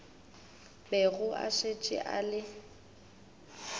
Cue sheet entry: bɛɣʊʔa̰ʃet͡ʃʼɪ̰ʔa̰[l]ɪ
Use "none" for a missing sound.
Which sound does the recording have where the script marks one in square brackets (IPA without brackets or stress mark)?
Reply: l